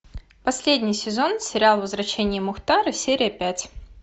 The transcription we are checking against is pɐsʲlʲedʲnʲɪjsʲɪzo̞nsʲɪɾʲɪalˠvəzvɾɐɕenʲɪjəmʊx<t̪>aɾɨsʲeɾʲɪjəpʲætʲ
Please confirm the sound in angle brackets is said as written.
yes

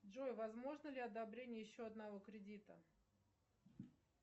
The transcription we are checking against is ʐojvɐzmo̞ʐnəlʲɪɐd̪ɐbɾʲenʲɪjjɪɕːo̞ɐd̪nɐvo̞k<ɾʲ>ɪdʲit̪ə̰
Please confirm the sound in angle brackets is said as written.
yes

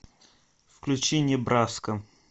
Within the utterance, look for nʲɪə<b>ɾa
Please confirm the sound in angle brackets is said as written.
yes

